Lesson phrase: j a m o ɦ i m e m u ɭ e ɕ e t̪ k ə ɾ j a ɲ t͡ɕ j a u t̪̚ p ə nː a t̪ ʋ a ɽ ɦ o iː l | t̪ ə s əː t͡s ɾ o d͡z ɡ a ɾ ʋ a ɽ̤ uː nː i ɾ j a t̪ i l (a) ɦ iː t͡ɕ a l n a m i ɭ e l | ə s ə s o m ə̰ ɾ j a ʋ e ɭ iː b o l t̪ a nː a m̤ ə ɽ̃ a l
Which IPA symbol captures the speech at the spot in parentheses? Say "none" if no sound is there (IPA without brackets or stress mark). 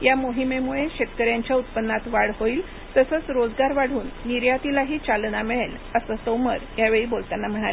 a